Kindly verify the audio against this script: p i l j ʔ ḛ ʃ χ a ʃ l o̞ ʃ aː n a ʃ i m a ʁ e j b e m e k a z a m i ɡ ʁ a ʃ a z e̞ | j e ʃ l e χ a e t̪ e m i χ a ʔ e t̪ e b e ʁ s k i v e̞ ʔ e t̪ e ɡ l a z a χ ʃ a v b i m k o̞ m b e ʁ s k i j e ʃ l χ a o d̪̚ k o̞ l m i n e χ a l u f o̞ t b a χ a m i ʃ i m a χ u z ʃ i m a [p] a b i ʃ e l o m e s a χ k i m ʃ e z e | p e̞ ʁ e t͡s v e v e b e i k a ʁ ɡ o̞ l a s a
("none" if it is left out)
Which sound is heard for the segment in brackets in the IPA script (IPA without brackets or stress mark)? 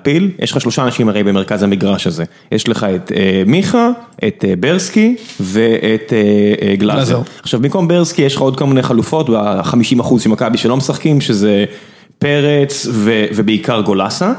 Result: k